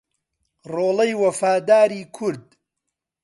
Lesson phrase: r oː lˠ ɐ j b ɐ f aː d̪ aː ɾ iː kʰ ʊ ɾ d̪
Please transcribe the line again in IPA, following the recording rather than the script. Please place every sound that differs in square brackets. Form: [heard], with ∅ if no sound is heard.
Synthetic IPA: r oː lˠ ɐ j [w] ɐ f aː d̪ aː ɾ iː kʰ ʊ ɾ d̪